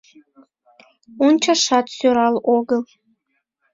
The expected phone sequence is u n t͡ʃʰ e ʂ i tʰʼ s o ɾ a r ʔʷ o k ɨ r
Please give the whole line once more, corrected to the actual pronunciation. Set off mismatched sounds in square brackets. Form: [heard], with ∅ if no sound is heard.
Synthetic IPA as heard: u n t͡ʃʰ [a] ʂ [a] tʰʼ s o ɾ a [l] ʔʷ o [ɡ] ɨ [l]